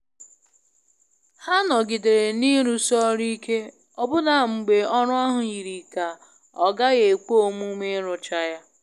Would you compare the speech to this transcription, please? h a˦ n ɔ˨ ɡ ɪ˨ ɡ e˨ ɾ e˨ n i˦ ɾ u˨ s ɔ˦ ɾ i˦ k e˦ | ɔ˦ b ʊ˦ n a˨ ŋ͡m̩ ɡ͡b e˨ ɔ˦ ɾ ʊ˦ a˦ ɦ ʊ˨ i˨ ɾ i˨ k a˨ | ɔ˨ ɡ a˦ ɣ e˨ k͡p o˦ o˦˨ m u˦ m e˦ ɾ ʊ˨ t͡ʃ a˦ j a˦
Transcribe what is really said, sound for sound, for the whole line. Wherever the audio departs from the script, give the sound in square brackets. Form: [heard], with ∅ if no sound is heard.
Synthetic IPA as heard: h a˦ n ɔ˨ ɡ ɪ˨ [d] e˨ ɾ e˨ n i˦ ɾ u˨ s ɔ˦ ɾ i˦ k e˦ | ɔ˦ b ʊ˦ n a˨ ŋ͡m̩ ɡ͡b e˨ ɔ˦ ɾ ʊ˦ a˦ ɦ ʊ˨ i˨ ɾ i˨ k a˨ | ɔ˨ ɡ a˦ ɣ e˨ k͡p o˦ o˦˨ m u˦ m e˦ ɾ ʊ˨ t͡ʃ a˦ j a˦

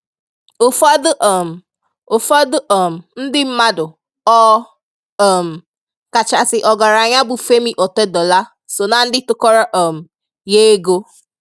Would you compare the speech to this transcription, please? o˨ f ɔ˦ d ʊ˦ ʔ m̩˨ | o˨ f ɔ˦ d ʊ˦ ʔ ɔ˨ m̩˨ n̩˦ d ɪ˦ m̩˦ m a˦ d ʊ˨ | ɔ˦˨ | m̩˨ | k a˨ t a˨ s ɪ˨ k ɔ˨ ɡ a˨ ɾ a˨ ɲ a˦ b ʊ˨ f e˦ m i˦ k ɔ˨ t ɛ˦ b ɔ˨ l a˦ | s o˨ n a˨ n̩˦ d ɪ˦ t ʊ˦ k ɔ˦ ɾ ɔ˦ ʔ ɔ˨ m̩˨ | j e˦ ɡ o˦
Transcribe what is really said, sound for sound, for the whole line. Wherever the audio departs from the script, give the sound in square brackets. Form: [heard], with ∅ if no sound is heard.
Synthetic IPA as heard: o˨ f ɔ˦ d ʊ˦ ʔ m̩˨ | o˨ f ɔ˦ d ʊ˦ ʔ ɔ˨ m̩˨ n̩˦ d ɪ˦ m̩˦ m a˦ d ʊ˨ | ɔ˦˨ | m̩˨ | k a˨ [t͡ʃ] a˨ s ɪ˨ [ʔ] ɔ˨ ɡ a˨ ɾ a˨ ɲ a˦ b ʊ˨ f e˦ m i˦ [ʔ] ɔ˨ t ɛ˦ [d] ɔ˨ l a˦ | s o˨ n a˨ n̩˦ d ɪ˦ t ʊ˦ k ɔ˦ ɾ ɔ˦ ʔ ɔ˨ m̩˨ | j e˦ ɡ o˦

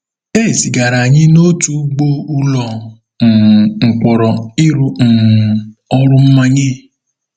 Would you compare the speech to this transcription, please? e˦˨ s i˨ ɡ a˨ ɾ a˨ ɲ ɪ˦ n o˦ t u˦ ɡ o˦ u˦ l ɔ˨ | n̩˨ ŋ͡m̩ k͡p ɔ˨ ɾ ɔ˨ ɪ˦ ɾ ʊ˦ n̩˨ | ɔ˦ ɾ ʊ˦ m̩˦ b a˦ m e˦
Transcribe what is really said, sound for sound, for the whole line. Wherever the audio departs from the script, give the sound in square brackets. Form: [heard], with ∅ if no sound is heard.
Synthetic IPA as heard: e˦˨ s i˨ ɡ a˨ ɾ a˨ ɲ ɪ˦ n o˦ t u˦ [ɡ͡b] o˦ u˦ l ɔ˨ | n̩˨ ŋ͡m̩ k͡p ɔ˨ ɾ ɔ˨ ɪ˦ ɾ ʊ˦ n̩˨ | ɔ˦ ɾ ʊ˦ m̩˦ [m] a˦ [ɲ] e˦

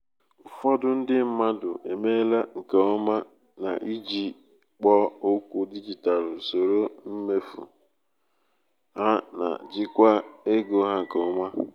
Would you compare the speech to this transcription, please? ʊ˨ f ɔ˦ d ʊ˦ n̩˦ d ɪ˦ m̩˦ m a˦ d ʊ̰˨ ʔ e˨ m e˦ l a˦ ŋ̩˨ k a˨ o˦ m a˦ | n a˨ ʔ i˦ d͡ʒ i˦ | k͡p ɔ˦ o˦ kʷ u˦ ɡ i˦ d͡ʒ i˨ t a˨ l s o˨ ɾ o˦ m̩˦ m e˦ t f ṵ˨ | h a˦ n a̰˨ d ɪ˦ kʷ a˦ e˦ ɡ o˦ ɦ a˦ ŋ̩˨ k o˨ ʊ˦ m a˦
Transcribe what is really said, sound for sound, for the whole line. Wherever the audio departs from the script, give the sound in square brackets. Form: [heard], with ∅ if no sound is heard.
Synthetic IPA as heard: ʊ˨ f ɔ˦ d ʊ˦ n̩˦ d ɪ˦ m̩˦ m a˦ d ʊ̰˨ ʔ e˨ m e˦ l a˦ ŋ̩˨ k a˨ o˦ m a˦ | n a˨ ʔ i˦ d͡ʒ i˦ | k͡p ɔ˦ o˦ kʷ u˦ [d] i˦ d͡ʒ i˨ t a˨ l s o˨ ɾ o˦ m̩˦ m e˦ [∅] f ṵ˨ | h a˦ n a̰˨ [d͡ʒ] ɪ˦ kʷ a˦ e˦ ɡ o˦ ɦ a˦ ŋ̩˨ k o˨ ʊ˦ m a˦

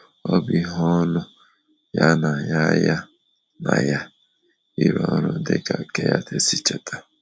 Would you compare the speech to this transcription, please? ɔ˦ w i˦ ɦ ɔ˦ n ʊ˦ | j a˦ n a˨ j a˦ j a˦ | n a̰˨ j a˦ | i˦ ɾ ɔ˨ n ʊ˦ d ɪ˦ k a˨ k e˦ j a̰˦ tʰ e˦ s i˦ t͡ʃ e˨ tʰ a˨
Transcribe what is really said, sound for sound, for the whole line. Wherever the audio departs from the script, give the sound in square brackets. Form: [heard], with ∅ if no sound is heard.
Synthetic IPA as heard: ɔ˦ [b] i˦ ɦ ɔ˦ n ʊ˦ | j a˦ n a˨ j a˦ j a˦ | n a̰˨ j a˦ | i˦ ɾ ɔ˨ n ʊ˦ d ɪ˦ k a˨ k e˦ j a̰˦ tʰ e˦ s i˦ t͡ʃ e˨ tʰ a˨

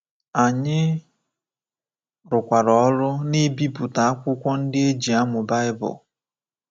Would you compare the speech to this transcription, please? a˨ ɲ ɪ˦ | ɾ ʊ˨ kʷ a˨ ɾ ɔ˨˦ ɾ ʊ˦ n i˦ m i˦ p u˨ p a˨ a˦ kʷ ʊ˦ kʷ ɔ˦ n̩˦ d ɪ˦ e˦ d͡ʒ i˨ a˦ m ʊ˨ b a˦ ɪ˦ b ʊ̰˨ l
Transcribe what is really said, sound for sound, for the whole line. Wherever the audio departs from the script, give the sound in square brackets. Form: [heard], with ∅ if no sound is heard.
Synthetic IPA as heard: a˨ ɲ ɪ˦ | ɾ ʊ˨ kʷ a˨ ɾ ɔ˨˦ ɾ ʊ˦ n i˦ [b] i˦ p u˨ [t] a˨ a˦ kʷ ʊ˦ kʷ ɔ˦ n̩˦ d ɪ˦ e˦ d͡ʒ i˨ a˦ m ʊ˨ b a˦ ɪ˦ b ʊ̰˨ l

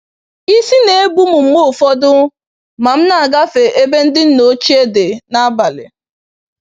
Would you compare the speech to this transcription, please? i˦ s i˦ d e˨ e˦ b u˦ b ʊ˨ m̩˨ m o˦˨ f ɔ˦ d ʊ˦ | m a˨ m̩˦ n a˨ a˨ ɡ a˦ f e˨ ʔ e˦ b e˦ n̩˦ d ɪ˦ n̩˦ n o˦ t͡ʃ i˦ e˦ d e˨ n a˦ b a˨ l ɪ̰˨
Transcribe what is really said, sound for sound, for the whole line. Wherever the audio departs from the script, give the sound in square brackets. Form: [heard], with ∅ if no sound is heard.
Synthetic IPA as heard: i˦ s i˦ [n] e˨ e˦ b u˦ [m] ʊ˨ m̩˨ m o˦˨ f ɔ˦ d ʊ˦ | m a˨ m̩˦ n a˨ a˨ ɡ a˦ f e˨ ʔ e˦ b e˦ n̩˦ d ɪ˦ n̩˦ n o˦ t͡ʃ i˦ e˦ d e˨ n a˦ b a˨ l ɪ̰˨

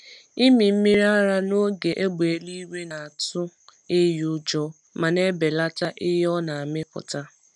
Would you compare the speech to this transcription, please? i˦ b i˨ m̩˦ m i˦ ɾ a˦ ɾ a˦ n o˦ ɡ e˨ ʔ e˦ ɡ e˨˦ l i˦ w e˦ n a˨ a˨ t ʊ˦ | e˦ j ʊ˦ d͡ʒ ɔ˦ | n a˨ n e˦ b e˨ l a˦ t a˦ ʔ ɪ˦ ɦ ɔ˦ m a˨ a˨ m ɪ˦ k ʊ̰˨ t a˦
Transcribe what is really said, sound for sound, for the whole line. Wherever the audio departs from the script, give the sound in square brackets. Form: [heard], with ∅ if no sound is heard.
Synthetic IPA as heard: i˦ [m] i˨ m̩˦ m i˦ ɾ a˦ ɾ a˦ n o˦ ɡ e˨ ʔ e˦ [ɡ͡b] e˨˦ l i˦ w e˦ n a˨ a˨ t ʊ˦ | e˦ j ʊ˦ d͡ʒ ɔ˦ | [m] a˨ n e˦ b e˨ l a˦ t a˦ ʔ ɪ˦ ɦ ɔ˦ [n] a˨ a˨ m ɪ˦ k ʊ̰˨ t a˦

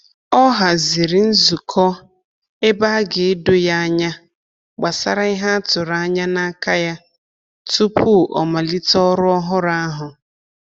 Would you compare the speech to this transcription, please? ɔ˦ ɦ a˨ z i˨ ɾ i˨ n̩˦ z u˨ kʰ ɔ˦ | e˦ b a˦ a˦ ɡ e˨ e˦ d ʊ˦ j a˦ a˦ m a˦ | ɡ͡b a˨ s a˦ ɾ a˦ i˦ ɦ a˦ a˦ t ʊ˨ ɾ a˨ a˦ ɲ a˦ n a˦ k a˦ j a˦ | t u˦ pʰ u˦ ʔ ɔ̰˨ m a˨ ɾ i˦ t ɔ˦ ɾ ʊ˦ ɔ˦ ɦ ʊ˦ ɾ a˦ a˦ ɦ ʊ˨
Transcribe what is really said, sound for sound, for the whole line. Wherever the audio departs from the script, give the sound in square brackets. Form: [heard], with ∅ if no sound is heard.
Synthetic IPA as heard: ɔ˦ ɦ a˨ z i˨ ɾ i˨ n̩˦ z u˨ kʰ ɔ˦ | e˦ b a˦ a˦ ɡ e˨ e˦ d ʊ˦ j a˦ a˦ [ɲ] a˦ | ɡ͡b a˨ s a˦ ɾ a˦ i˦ ɦ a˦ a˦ t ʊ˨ ɾ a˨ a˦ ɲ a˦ n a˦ k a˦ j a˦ | t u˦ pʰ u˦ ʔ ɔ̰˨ m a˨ [l] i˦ t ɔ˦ ɾ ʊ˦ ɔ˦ ɦ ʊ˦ ɾ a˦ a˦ ɦ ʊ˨

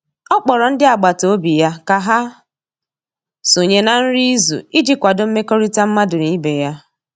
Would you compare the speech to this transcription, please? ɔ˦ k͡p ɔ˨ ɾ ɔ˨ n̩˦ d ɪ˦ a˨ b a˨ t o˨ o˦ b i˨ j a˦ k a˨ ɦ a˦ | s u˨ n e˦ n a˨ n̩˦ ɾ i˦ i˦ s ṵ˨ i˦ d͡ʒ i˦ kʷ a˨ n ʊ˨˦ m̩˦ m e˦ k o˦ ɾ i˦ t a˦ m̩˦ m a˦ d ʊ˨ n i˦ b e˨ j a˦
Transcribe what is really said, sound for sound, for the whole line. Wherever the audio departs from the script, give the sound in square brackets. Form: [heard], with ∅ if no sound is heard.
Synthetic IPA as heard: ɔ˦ k͡p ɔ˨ ɾ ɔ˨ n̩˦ d ɪ˦ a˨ [ɡ͡b] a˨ t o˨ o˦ b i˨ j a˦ k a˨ ɦ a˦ | s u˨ [ɲ] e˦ n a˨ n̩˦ ɾ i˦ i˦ [z] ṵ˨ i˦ d͡ʒ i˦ kʷ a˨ [d] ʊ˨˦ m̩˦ m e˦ k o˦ ɾ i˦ t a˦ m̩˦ m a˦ d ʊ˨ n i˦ b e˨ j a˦

